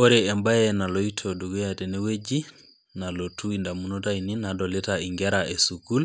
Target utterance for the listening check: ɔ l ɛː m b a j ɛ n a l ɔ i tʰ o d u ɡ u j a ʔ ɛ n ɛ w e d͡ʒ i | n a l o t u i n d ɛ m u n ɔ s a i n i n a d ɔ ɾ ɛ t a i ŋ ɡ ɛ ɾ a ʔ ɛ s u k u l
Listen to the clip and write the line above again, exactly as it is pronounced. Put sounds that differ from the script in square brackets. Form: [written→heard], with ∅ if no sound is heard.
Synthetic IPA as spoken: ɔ [l→ɾ] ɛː m b a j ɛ n a l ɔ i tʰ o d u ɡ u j a [ʔ→t] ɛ n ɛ w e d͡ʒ i | n a l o t u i n d [ɛ→a] m u n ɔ [s→t] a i n i n a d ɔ [ɾ→l] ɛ t a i ŋ ɡ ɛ ɾ a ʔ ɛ s u k u l